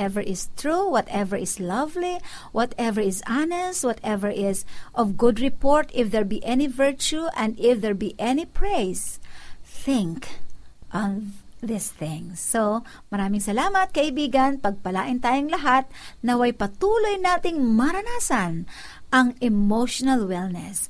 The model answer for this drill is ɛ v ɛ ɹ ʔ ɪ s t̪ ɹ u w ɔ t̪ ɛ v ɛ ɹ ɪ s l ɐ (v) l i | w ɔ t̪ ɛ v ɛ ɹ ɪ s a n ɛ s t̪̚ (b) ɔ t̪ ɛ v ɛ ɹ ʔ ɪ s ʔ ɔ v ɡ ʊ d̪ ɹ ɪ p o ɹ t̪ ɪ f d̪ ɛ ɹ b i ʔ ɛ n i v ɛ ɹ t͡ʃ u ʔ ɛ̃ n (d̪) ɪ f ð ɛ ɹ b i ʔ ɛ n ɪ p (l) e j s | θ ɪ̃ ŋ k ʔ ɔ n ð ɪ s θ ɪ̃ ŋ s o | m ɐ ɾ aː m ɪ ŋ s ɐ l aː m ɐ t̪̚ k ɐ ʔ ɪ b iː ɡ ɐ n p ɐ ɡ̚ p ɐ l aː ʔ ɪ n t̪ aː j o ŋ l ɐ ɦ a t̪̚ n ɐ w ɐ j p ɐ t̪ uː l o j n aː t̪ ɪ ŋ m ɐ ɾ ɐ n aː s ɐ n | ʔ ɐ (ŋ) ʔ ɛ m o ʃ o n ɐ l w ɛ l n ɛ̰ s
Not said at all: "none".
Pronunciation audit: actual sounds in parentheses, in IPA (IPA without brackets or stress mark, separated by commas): v, w, d̪, ɹ, ŋ